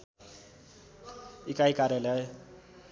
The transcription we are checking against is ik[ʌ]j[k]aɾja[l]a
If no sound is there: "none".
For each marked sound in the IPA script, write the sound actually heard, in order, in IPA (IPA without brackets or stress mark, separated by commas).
a, k, l